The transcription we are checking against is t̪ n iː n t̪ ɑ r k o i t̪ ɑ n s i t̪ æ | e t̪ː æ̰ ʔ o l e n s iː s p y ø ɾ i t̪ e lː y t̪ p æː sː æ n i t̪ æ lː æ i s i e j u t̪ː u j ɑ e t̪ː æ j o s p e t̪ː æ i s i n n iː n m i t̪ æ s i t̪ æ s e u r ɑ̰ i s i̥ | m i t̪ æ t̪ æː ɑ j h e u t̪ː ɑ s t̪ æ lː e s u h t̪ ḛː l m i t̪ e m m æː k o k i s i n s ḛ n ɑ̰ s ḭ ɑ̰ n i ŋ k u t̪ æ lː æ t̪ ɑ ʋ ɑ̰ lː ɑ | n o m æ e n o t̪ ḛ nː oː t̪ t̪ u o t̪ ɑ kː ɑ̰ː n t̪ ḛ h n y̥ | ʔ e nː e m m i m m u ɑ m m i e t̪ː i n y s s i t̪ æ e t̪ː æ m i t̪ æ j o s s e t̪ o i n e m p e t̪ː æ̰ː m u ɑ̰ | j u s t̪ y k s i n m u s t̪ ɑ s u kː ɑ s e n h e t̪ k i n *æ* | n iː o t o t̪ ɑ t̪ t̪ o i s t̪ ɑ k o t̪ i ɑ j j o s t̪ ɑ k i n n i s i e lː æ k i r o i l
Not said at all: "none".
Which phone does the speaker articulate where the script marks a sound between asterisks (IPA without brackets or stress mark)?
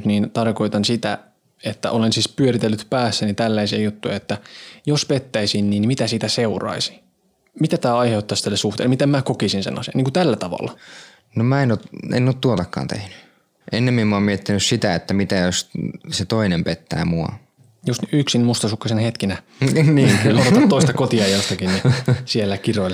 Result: æ